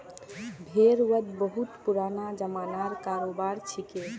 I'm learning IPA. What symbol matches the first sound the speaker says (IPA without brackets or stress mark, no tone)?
bʱ